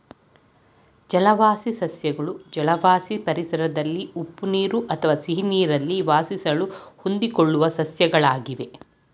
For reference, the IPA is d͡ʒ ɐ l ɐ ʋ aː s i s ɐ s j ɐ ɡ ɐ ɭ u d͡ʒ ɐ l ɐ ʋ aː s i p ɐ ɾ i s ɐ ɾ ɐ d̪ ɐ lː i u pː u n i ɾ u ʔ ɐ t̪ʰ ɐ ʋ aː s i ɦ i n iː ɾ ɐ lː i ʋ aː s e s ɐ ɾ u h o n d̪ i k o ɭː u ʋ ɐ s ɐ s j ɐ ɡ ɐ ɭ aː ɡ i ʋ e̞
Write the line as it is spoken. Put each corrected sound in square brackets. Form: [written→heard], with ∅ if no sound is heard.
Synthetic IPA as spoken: d͡ʒ ɐ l ɐ ʋ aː s i s ɐ s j ɐ ɡ ɐ ɭ u d͡ʒ ɐ l ɐ ʋ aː s i p ɐ ɾ i s ɐ ɾ ɐ d̪ ɐ lː i u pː u n [i→iː] ɾ u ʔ ɐ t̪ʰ ɐ ʋ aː s i ɦ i n iː ɾ ɐ lː i ʋ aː s [e→i] s ɐ [ɾ→ɭ] u h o n d̪ i k o ɭː u ʋ ɐ s ɐ s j ɐ ɡ ɐ ɭ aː ɡ i ʋ e̞